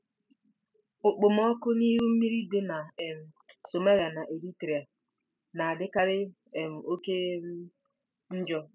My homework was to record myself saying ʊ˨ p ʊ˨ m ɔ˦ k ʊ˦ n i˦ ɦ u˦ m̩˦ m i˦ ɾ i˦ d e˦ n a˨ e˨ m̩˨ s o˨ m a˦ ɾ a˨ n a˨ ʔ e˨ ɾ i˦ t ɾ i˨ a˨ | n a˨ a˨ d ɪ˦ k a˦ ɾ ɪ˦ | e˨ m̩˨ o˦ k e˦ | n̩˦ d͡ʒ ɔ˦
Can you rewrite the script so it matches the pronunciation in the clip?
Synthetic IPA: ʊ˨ k͡p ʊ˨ m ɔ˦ k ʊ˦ n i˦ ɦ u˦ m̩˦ m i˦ ɾ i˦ d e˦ n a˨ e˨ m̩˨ s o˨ m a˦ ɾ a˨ n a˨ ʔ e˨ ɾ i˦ t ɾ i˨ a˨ | n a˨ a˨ d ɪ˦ k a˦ ɾ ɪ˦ | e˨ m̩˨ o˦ k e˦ | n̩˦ d͡ʒ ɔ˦